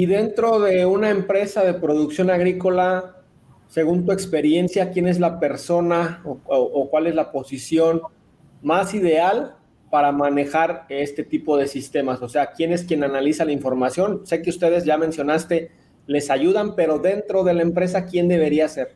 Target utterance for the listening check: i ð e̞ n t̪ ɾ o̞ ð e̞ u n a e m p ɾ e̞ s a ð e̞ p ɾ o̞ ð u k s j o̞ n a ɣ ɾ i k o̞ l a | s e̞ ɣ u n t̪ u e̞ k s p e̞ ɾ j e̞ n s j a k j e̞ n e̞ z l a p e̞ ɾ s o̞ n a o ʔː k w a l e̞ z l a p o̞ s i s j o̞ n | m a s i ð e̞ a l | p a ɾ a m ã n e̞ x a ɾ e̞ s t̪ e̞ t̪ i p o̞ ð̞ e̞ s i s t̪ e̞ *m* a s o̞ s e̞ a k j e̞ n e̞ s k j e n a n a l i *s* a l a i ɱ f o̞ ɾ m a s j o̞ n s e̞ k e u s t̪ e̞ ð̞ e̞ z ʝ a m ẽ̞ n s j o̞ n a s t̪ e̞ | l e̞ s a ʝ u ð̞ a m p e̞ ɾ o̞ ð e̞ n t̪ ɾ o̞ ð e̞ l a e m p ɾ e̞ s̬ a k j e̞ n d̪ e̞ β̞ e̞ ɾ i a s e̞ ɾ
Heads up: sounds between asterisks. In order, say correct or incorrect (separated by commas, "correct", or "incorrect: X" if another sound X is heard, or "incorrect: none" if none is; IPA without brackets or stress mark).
correct, correct